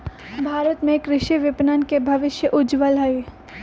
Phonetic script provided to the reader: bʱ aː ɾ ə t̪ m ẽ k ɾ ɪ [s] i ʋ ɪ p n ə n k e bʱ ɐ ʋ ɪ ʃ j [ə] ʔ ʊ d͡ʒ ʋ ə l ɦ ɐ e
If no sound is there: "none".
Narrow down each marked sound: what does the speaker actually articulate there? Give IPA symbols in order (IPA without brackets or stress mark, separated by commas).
ʃ, ə